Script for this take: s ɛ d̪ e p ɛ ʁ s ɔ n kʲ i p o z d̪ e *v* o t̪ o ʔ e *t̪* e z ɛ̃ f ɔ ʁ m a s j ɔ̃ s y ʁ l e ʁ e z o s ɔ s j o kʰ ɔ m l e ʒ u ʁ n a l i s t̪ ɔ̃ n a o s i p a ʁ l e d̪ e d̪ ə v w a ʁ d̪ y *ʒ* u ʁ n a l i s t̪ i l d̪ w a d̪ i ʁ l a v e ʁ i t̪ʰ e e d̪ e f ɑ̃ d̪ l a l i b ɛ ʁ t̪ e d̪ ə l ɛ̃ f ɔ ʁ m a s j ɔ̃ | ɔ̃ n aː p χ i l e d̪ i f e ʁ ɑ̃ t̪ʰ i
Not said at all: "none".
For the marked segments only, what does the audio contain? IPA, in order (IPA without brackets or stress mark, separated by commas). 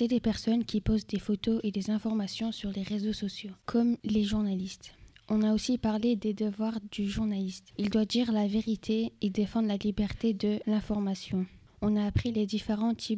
f, d̪, ʒ